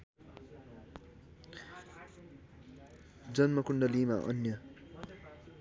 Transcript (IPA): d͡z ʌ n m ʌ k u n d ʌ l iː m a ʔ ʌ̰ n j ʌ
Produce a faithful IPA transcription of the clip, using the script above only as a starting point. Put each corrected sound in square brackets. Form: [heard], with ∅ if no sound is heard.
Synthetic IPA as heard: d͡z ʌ n m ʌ k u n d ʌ l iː m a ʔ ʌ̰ n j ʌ